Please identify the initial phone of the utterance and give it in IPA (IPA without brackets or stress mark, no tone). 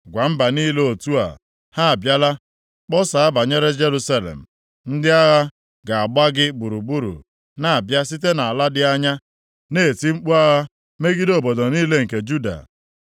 ɡʷ